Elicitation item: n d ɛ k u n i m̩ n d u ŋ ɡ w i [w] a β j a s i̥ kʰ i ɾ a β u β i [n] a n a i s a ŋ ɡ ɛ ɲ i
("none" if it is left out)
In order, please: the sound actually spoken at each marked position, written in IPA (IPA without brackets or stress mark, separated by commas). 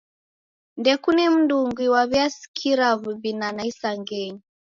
w, n